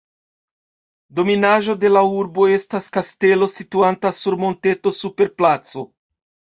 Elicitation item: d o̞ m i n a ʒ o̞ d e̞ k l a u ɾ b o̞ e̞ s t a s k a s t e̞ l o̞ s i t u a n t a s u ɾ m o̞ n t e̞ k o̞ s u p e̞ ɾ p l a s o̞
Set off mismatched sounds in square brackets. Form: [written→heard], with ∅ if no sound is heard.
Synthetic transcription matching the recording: d o̞ m i n a ʒ o̞ d e̞ [k→∅] l a u ɾ b o̞ e̞ s t a s k a s t e̞ l o̞ s i t u a n t a s u ɾ m o̞ n t e̞ [k→t] o̞ s u p e̞ ɾ p l a [s→t͡s] o̞